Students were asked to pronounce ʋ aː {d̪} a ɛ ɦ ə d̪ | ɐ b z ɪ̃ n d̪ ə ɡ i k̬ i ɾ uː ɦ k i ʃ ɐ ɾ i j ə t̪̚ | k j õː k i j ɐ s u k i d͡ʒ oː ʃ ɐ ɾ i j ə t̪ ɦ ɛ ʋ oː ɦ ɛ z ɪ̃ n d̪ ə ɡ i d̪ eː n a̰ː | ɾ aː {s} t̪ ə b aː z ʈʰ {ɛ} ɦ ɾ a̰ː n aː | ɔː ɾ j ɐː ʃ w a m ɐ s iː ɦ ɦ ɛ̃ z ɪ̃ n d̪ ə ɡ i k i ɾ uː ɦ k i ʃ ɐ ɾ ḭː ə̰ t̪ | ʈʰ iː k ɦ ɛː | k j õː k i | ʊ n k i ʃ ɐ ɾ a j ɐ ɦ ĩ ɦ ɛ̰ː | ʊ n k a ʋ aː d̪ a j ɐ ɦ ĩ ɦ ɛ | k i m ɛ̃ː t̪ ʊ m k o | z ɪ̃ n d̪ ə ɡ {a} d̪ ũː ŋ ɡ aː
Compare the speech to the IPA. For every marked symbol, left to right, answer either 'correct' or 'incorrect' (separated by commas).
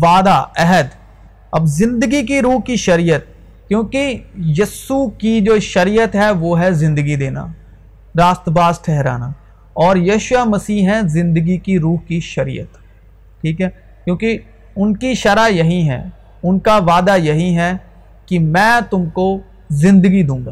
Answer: correct, correct, correct, incorrect